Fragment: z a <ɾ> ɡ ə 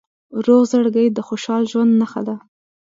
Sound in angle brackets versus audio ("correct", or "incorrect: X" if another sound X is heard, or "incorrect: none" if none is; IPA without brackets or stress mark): incorrect: ɽ